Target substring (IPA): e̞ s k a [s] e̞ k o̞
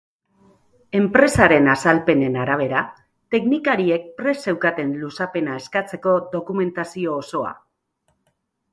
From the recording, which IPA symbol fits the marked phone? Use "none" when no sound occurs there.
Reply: t͡s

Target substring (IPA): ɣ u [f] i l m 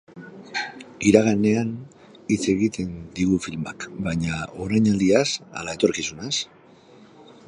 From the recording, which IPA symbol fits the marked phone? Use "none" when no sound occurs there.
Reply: f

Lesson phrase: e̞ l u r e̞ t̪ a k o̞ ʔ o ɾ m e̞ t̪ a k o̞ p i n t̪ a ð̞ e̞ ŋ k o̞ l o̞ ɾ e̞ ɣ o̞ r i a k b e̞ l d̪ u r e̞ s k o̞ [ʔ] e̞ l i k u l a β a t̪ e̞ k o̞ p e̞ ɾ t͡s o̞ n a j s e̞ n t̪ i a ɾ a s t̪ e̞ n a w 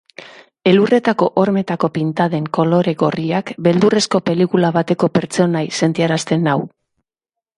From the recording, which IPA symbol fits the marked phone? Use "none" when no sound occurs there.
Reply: p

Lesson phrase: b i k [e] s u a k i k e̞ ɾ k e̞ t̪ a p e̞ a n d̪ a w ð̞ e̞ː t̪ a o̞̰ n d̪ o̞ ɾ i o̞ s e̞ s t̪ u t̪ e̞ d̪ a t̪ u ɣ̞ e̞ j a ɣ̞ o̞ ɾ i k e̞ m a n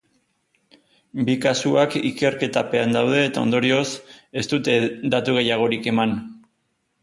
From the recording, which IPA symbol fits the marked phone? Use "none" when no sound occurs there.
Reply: a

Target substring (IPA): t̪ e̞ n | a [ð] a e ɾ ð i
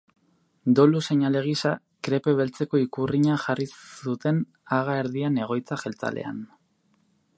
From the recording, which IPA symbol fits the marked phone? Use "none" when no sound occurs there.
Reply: ɣ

